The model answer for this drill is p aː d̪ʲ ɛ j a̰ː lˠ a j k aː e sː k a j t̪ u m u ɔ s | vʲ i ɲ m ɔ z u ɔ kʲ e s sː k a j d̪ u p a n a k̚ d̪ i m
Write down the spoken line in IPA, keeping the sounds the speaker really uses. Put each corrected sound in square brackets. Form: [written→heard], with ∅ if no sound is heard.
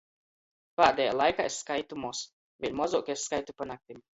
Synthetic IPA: p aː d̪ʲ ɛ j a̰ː lˠ a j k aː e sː k a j t̪ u m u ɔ s | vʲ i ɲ m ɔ z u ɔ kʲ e s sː k a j [d̪→t̪] u p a n a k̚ [d̪→t̪] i m